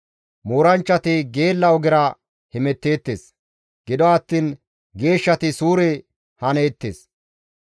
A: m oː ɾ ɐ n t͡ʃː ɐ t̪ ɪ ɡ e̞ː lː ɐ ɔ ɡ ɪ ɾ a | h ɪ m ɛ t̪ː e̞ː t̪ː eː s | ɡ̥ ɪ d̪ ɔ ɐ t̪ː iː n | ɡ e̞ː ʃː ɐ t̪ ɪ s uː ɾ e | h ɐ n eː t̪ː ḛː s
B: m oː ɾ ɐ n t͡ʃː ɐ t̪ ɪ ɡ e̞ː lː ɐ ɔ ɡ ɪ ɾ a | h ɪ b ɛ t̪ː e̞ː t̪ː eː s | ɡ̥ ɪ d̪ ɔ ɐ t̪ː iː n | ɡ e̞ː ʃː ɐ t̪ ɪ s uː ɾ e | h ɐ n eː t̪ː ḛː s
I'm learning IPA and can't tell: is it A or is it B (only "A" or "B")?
A